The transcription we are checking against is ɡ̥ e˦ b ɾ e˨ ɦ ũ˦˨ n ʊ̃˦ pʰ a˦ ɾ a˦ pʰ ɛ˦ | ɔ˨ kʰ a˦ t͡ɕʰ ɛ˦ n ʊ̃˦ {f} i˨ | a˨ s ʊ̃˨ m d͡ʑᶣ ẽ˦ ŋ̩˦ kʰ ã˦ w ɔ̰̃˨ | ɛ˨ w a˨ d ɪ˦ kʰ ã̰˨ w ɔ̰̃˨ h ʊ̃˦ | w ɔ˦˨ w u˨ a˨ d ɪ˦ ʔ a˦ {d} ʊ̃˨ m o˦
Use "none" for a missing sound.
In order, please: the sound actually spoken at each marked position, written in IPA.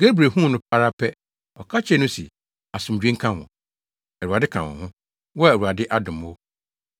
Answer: s, d

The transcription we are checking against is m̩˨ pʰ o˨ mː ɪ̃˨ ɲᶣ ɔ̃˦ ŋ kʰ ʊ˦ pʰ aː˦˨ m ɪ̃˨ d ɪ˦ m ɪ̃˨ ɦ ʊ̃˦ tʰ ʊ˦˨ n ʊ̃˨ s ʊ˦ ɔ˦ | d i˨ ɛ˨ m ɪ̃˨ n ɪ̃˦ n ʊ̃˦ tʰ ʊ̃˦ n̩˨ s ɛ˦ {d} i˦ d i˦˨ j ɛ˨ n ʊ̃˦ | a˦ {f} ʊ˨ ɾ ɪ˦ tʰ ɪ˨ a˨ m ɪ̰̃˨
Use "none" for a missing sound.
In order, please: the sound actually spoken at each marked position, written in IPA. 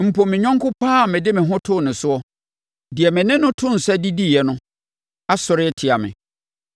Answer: d, s

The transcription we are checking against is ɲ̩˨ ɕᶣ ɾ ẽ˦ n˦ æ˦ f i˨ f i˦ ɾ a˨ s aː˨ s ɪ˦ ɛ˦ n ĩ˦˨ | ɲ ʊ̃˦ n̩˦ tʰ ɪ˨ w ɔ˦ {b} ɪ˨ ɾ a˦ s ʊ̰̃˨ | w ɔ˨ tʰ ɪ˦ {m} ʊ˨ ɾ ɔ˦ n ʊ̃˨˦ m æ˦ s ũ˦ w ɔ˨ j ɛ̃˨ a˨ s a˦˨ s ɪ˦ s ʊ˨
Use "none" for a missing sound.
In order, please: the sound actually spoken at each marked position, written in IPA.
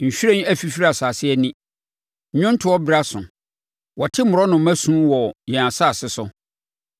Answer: b, m

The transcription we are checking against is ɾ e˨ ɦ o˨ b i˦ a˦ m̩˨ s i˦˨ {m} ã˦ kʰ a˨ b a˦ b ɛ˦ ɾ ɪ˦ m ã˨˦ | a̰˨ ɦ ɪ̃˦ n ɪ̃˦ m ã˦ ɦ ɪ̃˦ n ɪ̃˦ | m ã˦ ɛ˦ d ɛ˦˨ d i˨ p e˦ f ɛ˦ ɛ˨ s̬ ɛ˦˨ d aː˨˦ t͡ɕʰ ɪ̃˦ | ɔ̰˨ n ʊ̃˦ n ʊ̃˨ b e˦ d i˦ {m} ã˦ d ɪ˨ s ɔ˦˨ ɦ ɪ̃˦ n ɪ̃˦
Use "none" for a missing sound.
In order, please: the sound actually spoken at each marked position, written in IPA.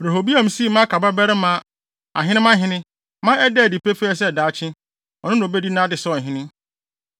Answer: m, n

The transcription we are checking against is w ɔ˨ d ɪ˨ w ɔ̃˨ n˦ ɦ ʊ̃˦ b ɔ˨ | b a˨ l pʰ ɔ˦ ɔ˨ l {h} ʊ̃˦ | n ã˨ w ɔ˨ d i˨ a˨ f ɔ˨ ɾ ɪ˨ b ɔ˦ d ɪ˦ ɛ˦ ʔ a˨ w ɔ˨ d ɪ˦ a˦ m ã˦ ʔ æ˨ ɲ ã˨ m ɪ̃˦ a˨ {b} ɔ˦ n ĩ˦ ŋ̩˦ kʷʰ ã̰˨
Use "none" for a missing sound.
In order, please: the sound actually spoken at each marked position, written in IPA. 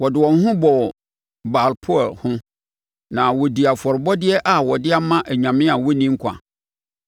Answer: h, w

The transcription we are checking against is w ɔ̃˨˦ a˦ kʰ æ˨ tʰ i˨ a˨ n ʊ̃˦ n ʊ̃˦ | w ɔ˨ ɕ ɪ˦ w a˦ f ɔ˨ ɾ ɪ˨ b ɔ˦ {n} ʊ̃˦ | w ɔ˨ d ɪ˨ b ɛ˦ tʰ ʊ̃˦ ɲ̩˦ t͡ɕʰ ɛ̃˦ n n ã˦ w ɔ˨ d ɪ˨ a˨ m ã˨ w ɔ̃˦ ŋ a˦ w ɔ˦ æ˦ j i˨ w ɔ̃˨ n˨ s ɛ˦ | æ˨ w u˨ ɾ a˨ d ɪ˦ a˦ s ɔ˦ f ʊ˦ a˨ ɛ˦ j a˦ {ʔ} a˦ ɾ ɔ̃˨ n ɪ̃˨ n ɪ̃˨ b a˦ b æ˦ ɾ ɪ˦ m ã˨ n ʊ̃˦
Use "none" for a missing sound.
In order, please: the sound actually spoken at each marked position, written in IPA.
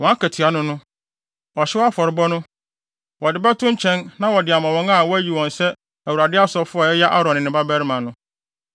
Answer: n, ʔ

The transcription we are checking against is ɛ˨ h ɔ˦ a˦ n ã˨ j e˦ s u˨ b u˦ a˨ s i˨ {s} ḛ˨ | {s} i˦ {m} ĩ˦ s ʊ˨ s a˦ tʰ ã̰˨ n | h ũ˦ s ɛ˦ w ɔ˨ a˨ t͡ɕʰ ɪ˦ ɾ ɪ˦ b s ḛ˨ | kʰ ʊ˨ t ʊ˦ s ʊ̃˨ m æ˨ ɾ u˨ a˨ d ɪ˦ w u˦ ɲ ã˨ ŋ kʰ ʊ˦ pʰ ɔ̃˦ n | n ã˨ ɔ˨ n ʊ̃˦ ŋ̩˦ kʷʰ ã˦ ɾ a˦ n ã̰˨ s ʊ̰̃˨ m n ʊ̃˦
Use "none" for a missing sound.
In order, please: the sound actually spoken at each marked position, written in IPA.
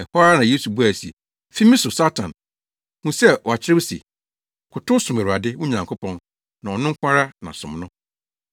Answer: none, f, m

